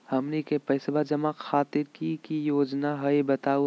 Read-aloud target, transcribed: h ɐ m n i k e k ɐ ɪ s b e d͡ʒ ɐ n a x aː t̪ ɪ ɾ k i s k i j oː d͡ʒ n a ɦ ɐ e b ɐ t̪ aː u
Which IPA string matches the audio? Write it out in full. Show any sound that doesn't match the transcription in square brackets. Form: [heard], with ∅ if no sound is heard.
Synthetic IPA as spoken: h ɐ m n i k e [p] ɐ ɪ s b [a] d͡ʒ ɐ [m] a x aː t̪ ɪ ɾ k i [∅] k i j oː d͡ʒ n a ɦ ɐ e b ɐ t̪ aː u

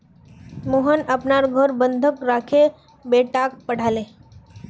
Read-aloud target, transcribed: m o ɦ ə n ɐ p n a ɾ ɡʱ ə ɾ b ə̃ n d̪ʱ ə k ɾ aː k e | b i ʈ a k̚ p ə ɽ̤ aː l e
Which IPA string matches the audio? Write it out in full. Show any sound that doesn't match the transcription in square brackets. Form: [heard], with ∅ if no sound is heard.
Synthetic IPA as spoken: m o ɦ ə n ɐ p n a ɾ ɡʱ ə ɾ b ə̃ n d̪ʱ ə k ɾ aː [kʰ] e | b [e] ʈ a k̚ p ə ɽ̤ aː l e

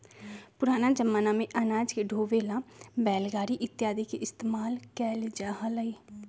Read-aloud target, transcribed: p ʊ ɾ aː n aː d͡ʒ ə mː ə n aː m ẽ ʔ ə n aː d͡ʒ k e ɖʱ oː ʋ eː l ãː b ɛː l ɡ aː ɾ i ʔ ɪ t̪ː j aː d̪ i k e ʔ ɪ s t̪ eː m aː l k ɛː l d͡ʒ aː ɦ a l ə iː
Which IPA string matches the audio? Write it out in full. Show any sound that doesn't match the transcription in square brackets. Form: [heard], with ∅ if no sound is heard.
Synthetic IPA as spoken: p ʊ ɾ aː n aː d͡ʒ ə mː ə n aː m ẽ ʔ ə n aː d͡ʒ k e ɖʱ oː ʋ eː l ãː b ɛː l ɡ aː ɾ i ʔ ɪ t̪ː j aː d̪ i k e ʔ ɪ s t̪ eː m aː l k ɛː l d͡ʒ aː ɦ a l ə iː

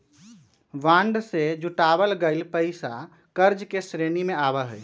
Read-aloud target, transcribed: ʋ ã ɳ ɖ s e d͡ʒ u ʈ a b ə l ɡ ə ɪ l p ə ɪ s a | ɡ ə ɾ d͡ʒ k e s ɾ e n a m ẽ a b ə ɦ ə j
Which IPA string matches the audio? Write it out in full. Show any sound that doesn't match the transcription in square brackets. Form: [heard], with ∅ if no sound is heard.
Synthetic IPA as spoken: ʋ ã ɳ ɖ s e d͡ʒ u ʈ a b ə l ɡ ə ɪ l p ə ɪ s a | [k] ə ɾ d͡ʒ k e s ɾ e n [i] m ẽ a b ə ɦ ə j

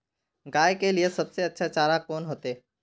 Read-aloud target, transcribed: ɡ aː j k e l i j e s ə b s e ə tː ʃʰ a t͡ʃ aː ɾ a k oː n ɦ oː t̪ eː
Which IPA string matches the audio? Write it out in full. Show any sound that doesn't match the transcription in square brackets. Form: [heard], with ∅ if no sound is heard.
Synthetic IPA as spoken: ɡ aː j k e l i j e s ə b s e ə tː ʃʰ a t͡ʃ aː ɾ a k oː n ɦ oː t̪ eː

